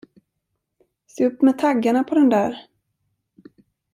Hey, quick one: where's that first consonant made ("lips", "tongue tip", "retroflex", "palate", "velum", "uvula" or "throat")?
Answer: tongue tip